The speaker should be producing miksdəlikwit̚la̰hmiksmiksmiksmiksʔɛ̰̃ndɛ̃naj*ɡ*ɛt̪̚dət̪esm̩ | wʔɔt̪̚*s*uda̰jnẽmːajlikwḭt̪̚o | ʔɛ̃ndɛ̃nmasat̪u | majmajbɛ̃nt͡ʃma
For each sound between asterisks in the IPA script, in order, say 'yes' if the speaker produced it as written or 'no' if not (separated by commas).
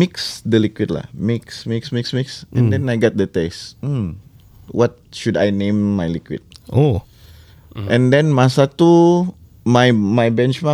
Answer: yes, no